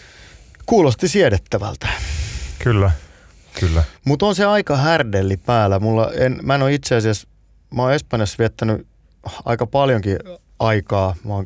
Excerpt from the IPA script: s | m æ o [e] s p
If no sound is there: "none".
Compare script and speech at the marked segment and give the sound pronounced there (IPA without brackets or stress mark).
e